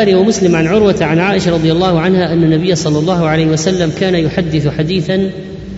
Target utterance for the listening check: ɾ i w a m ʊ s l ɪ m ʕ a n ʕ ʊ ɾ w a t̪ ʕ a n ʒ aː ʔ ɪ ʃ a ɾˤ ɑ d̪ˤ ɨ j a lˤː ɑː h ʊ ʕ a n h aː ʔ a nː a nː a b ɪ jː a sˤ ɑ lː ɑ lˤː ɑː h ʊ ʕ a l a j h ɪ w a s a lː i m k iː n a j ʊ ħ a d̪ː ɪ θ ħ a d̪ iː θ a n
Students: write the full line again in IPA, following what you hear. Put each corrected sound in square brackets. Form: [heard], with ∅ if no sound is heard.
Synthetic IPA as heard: ɾ i w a m ʊ s l ɪ m ʕ a n ʕ ʊ ɾ w a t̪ ʕ a n [ʕ] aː ʔ ɪ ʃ a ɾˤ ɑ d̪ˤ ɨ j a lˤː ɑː h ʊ ʕ a n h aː ʔ a nː a nː a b ɪ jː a sˤ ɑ lː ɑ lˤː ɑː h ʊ ʕ a l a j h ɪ w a s a lː [a] m k [aː] n a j ʊ ħ a d̪ː ɪ θ ħ a d̪ iː θ a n